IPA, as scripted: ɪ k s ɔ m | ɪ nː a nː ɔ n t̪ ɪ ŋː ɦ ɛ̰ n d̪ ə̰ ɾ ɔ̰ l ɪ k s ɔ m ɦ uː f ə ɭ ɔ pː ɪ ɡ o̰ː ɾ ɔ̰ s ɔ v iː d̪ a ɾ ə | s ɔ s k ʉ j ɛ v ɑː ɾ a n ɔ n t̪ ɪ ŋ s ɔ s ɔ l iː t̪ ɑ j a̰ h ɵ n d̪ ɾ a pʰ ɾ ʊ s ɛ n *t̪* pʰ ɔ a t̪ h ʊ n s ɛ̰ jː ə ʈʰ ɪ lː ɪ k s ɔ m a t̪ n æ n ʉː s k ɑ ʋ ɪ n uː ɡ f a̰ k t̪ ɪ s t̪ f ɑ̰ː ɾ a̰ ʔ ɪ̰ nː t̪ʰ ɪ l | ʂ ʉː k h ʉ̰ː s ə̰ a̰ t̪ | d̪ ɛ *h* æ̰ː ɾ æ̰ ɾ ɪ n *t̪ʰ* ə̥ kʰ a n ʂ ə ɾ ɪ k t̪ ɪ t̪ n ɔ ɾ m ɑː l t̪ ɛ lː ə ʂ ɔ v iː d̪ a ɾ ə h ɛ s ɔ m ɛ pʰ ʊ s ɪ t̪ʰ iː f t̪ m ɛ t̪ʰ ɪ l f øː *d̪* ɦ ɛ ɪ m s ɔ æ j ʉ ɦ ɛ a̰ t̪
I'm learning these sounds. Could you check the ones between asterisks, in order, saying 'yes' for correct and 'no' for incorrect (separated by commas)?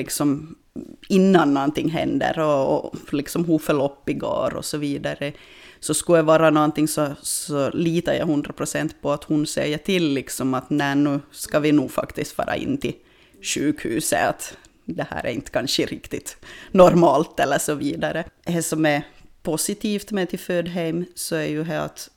yes, yes, no, yes